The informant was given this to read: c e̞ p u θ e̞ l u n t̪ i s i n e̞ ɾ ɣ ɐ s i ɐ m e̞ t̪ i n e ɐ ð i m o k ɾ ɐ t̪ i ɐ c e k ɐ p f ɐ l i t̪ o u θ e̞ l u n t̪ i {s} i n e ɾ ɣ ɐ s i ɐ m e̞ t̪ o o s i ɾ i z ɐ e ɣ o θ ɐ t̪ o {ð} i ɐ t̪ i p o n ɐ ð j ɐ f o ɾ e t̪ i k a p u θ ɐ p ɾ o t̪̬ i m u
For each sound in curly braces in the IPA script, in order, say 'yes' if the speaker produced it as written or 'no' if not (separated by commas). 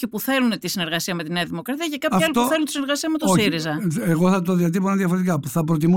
yes, yes